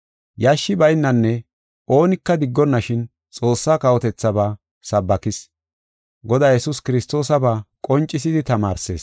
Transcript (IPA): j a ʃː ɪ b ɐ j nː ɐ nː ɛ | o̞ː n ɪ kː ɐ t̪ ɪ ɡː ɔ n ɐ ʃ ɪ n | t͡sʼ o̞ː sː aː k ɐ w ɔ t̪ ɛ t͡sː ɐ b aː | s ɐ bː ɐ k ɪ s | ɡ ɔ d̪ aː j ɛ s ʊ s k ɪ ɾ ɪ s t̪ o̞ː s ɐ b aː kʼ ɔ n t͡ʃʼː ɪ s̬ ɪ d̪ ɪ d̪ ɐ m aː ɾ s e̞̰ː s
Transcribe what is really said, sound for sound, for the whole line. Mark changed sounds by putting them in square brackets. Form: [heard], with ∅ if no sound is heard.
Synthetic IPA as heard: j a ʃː ɪ b ɐ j nː ɐ nː ɛ | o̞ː n ɪ kː ɐ [d̪] ɪ ɡː ɔ [nː] ɐ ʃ ɪ n | t͡sʼ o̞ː sː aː k ɐ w ɔ t̪ ɛ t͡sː ɐ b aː | s ɐ bː ɐ k ɪ s | ɡ ɔ d̪ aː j ɛ s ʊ s k ɪ ɾ ɪ s t̪ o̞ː s ɐ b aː kʼ ɔ n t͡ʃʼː ɪ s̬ ɪ d̪ ɪ [t̪] ɐ m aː ɾ s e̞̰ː s